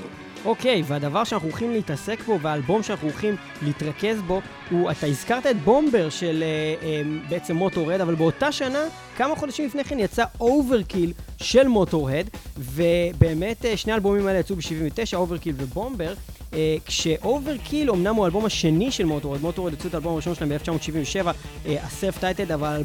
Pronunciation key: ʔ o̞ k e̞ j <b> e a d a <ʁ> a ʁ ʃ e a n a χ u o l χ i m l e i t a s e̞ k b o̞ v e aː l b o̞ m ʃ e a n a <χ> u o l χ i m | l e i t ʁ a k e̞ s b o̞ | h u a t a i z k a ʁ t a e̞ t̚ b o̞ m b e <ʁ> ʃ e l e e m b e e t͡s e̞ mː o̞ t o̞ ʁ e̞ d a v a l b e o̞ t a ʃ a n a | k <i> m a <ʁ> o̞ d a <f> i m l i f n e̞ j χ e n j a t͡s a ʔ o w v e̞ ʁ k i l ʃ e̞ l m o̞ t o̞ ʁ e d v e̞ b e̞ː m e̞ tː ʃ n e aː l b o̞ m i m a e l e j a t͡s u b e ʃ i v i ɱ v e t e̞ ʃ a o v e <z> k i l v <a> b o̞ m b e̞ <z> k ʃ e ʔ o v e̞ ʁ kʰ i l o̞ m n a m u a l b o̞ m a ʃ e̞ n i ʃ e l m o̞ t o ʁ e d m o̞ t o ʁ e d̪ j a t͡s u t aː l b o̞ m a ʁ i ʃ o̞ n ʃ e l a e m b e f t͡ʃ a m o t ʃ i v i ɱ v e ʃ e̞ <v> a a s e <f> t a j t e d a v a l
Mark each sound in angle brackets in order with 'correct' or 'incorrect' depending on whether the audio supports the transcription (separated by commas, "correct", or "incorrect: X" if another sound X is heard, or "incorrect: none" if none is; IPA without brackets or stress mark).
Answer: incorrect: v, incorrect: v, correct, correct, incorrect: a, incorrect: χ, incorrect: ʃ, incorrect: ʁ, incorrect: e, incorrect: ʁ, correct, correct